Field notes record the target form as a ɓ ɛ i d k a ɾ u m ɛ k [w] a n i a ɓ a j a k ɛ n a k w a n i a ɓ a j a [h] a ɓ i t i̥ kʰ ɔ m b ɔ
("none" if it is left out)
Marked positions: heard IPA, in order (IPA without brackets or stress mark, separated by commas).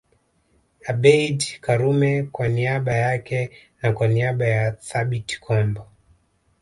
w, θ